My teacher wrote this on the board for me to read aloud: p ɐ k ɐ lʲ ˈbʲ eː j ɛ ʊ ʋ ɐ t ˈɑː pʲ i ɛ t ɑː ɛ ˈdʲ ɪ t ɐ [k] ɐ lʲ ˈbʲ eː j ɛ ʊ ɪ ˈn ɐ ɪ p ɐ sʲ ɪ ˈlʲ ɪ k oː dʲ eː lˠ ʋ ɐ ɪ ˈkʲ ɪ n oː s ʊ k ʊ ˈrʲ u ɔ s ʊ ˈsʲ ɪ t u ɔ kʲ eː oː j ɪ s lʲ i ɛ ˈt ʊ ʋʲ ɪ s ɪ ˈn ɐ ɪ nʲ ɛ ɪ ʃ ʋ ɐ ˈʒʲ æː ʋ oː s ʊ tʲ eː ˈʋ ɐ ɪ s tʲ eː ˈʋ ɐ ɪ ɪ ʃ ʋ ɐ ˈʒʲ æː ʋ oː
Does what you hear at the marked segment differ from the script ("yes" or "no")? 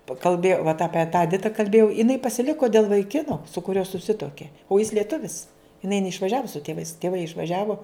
no